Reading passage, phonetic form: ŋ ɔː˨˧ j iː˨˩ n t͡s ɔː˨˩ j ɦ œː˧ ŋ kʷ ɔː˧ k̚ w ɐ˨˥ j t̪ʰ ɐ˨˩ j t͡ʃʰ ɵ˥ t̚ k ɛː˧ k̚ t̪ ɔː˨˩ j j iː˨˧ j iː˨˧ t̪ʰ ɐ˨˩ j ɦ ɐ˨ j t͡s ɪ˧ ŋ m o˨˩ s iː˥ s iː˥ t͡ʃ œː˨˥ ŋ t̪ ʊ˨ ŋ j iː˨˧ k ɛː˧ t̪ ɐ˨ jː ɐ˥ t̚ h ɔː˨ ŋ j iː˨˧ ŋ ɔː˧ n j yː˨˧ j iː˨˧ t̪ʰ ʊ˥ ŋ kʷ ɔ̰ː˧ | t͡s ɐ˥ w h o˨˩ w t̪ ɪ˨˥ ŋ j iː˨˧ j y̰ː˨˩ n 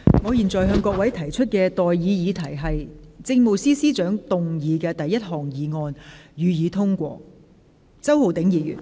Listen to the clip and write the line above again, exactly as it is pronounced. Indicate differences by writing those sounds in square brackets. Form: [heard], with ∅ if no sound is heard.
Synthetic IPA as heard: ŋ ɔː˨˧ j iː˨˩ n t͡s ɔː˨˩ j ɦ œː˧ ŋ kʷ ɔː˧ k̚ w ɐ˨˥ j t̪ʰ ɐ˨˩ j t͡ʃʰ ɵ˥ t̚ k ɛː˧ [∅] t̪ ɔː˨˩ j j iː˨˧ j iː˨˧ t̪ʰ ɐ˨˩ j ɦ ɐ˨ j t͡s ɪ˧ ŋ m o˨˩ s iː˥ s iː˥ t͡ʃ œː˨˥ ŋ t̪ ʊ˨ ŋ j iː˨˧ k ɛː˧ t̪ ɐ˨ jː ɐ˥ t̚ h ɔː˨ ŋ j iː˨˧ ŋ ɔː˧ n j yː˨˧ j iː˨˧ t̪ʰ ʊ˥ ŋ kʷ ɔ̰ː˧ | t͡s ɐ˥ w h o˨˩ w t̪ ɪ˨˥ ŋ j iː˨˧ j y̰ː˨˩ n

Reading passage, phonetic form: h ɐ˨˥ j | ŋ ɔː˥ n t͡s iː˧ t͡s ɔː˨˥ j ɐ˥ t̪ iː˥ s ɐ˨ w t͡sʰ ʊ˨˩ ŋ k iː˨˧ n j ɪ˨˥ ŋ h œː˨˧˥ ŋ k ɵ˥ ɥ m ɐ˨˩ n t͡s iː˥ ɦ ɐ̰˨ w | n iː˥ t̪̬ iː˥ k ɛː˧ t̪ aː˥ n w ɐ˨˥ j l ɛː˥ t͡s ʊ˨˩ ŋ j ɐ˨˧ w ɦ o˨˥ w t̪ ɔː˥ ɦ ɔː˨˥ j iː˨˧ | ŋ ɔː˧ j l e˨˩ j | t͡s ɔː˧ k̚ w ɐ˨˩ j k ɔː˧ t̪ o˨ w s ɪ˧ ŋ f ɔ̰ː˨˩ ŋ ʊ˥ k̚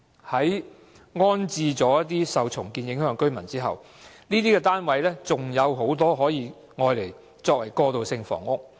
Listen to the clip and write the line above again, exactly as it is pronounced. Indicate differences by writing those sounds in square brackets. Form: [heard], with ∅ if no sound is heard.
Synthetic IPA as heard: h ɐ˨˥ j | ŋ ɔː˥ n t͡s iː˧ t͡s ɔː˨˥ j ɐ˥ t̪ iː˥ s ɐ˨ w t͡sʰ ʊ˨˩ ŋ k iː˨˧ n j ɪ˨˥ ŋ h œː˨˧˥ ŋ k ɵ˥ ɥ m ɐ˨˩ n t͡s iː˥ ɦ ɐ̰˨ w | n iː˥ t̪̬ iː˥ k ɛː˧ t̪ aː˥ n w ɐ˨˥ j l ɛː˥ t͡s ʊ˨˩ ŋ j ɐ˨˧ w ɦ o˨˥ w t̪ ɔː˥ ɦ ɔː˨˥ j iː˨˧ | ŋ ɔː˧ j l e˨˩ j | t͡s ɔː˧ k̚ w ɐ˨˩ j k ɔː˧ t̪ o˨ w s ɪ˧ ŋ f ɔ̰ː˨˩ ŋ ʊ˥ k̚

